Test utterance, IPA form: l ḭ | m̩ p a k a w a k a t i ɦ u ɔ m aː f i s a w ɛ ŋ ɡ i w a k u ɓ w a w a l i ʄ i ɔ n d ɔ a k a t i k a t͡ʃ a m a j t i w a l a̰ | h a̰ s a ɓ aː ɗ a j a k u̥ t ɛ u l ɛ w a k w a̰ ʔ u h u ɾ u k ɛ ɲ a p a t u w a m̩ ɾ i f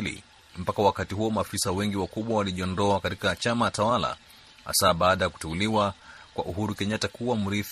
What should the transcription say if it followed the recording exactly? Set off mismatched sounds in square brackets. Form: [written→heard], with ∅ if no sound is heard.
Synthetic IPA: l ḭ | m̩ p a k a w a k a t i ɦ u ɔ m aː f i s a w ɛ ŋ ɡ i w a k u ɓ w a w a l i ʄ i ɔ n d ɔ a k a t i k a t͡ʃ a m a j t [i→a] w a l a̰ | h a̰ s a ɓ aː ɗ a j a k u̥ t ɛ u l [ɛ→i] w a k w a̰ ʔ u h u ɾ u k ɛ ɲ a [p→t] a [t→k] u w a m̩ ɾ i f